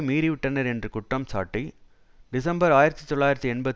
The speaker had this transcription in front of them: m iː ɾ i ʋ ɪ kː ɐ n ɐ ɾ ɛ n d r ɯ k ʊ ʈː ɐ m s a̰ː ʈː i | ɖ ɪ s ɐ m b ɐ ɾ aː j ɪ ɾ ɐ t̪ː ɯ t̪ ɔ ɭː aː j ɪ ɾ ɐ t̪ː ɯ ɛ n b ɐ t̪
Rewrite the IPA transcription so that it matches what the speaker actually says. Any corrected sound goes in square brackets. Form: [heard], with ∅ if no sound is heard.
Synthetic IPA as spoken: m iː ɾ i ʋ ɪ [ʈː] ɐ n ɐ ɾ ɛ n d r ɯ k ʊ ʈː ɐ m s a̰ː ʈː i | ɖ ɪ s ɐ m b ɐ ɾ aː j ɪ ɾ ɐ t̪ː ɯ t̪ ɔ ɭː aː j ɪ ɾ ɐ t̪ː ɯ ɛ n b ɐ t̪